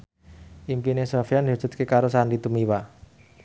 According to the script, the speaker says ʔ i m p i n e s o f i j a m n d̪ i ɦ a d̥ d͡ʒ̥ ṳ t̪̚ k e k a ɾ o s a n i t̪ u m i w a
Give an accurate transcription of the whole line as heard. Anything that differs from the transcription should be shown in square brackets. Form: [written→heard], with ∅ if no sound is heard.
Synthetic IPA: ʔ i m p i n e s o f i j a [m→∅] n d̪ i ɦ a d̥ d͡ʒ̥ ṳ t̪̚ k e k a ɾ o s a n i t̪ u m i w a